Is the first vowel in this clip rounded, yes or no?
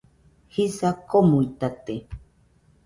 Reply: no